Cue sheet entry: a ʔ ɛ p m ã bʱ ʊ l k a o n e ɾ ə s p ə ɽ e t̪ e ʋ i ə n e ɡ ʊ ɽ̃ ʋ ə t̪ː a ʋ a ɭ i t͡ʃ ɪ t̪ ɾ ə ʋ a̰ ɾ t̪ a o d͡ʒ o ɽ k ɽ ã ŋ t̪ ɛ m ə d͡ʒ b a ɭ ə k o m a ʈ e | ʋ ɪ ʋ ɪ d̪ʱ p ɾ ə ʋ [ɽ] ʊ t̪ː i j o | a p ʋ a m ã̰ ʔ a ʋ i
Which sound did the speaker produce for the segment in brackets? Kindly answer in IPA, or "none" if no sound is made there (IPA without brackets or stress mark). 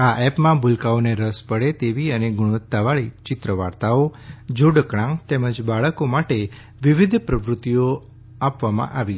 ɾ